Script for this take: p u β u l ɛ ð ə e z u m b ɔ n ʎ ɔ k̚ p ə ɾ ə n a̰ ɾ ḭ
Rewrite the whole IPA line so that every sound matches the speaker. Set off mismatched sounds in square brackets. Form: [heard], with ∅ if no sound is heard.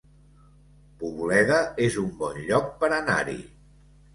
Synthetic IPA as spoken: p u β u l ɛ ð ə e z u m b ɔ n ʎ ɔ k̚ p ə ɾ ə n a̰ ɾ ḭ